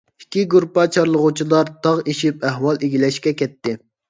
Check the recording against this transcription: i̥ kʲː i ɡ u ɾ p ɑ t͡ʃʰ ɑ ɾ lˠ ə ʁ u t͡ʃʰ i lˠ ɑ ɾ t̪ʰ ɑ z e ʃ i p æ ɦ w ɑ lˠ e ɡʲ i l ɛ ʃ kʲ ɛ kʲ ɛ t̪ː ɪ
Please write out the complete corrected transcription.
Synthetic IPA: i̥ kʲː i ɡ u ɾ p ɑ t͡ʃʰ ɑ ɾ lˠ ə ʁ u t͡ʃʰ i lˠ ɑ ɾ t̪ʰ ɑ ʁ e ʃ i p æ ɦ w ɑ lˠ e ɡʲ i l ɛ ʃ kʲ ɛ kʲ ɛ t̪ː ɪ